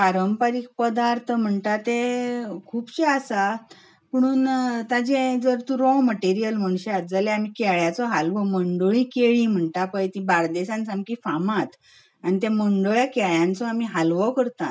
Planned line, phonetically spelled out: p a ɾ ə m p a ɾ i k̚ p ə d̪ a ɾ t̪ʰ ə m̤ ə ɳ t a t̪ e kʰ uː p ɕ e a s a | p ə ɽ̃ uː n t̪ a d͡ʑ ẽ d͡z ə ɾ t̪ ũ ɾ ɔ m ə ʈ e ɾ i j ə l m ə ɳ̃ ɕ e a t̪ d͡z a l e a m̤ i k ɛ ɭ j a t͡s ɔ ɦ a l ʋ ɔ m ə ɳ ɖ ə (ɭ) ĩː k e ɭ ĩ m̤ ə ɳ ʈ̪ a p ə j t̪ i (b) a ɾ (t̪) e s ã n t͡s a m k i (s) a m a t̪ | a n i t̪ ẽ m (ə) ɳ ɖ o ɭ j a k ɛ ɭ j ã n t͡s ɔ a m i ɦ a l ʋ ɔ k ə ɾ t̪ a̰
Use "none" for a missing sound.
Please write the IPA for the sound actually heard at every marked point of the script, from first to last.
ɭ, b, d̪, f, ə

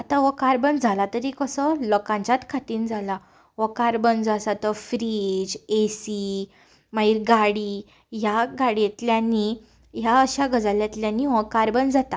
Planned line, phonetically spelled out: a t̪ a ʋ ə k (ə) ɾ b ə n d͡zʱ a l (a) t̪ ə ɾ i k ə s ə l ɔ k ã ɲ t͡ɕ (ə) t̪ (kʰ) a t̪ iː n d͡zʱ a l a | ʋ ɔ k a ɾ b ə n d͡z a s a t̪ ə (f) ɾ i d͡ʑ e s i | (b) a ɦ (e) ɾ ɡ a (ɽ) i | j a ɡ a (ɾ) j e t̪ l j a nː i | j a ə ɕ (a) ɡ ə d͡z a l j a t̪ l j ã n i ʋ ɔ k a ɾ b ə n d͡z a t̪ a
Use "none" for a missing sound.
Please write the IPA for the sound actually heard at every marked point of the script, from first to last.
a, a, a, kʰ, f, m, i, ɽ, ɽ, a

